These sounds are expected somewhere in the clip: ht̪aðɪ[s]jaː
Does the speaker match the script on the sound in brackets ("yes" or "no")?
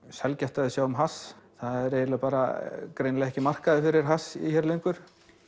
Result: yes